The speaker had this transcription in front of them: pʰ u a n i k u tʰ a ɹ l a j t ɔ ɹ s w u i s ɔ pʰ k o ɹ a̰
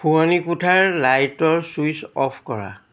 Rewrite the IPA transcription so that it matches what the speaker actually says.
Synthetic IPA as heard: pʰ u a n i k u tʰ a ɹ l a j t ɔ ɹ s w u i s ɔ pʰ k ɔ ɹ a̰